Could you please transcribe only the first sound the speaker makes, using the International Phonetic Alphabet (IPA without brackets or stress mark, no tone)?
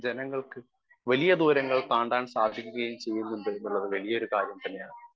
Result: d͡ʑ